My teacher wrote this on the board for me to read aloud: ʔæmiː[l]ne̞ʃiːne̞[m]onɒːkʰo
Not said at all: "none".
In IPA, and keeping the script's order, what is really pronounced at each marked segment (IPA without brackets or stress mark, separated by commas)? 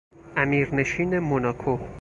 ɾ, m